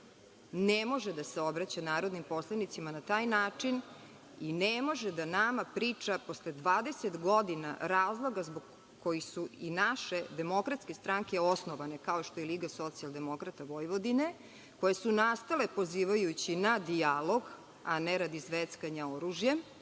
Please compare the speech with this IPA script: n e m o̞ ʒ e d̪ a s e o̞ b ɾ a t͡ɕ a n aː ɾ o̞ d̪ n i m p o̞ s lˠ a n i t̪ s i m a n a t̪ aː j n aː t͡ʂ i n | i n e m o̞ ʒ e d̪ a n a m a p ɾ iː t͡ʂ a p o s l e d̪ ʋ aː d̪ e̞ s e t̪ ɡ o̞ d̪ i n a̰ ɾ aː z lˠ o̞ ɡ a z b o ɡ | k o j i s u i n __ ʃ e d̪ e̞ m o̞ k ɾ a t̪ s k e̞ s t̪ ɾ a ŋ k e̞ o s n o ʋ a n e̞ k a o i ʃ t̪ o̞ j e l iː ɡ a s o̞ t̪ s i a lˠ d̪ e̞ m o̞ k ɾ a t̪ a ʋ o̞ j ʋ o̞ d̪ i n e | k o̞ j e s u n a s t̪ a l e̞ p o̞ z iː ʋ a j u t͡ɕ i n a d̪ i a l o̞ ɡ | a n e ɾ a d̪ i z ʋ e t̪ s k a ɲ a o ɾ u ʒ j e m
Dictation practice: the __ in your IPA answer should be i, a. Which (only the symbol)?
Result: a